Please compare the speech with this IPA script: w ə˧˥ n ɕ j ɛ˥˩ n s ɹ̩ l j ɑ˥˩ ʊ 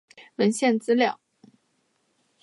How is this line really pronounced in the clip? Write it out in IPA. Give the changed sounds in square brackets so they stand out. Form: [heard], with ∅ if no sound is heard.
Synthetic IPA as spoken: w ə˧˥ n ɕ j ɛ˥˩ n [t͡s] ɹ̩ l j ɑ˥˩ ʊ